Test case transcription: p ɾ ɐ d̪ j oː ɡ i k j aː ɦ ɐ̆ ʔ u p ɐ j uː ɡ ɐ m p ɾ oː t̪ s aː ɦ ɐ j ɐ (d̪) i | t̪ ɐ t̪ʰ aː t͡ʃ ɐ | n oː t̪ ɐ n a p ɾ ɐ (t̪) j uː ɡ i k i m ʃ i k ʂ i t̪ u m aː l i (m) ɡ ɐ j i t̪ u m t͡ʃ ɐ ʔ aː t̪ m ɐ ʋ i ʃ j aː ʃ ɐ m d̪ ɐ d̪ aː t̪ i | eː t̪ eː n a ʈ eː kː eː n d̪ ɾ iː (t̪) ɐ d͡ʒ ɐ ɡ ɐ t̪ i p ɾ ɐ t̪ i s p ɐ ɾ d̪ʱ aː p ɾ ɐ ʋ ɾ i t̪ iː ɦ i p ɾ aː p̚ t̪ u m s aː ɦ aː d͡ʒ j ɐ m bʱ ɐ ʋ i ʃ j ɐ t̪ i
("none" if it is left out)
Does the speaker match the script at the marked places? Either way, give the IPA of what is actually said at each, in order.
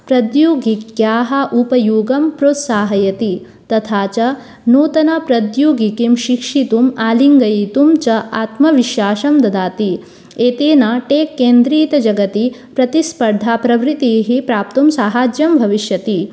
t̪, d̪, ŋ, t̪

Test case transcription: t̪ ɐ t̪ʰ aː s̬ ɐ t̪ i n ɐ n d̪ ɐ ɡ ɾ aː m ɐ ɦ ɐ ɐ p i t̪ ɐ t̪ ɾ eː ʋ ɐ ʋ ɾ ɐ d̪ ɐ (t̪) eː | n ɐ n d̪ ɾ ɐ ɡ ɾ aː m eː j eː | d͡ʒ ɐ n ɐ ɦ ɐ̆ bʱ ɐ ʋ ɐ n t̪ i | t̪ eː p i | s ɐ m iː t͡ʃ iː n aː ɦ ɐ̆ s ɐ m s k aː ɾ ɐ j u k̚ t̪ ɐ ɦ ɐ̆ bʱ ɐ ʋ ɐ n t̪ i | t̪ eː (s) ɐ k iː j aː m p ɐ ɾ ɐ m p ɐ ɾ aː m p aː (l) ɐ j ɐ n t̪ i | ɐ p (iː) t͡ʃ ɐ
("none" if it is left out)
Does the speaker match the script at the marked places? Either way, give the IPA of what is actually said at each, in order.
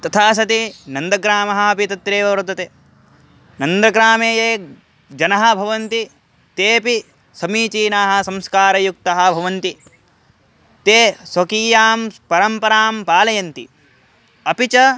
t̪, s, l, i

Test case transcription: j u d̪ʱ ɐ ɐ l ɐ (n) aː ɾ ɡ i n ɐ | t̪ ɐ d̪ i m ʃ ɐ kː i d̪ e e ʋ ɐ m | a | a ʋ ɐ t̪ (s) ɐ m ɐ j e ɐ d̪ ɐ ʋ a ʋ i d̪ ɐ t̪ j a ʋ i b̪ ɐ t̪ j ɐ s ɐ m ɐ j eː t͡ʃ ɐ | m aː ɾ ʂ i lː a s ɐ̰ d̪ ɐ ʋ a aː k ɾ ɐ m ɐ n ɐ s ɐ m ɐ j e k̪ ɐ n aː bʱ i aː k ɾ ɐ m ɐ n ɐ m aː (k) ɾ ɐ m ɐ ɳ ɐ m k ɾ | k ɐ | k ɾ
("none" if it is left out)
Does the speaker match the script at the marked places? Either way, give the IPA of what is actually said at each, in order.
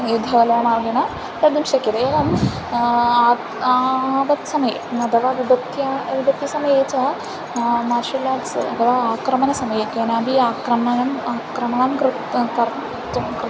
m, s, k

